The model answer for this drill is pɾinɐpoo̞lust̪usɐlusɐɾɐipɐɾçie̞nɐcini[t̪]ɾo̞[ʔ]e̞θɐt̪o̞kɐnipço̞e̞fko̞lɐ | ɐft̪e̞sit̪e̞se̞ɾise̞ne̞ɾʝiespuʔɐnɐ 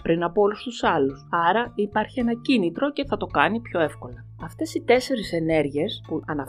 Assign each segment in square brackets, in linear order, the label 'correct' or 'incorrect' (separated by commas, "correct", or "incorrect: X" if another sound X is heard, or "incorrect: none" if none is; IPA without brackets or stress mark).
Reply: correct, incorrect: c